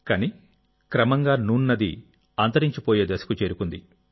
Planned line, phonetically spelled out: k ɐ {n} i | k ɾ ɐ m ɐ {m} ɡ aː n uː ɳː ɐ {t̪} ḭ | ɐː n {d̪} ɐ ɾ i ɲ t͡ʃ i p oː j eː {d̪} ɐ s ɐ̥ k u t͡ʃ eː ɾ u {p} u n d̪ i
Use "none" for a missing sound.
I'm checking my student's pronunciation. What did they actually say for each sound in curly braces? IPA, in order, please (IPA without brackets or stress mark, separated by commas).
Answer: n, ŋ, d̪, t̪, d̪, k